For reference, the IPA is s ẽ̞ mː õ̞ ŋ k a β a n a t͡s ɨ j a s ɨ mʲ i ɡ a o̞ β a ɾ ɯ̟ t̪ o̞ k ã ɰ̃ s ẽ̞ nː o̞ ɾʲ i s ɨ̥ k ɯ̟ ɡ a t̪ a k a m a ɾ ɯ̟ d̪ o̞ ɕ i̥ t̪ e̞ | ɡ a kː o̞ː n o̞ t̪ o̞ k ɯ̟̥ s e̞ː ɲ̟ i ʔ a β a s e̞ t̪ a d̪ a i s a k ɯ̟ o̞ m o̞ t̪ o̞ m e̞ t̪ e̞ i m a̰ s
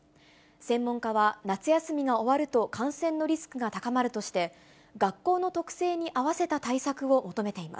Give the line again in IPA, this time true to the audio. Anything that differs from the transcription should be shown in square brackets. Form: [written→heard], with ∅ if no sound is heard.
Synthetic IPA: s ẽ̞ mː õ̞ ŋ k a β a n a t͡s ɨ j a s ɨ mʲ i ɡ a o̞ β a ɾ ɯ̟ t̪ o̞ k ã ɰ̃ s ẽ̞ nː o̞ ɾʲ i s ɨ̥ k ɯ̟ ɡ a t̪ a k a m a ɾ ɯ̟ [d̪→t̪] o̞ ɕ i̥ t̪ e̞ | ɡ a kː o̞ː n o̞ t̪ o̞ k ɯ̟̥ s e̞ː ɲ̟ i ʔ a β a s e̞ t̪ a [d̪→t̪] a i s a k ɯ̟ o̞ m o̞ t̪ o̞ m e̞ t̪ e̞ i m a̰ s